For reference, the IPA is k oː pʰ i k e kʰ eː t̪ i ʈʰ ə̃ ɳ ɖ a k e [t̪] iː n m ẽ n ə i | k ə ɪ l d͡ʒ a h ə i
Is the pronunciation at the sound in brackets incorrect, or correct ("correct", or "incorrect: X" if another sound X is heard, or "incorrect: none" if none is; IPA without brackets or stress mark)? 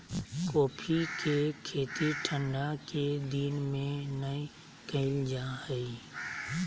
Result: incorrect: d̪